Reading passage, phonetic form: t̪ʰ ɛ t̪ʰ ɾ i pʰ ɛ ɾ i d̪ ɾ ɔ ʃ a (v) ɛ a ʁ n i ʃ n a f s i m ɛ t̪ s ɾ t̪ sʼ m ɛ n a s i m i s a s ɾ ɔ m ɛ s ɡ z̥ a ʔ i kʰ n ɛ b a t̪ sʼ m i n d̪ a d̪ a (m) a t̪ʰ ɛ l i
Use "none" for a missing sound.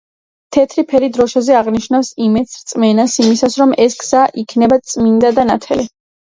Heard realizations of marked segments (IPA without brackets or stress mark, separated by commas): z, n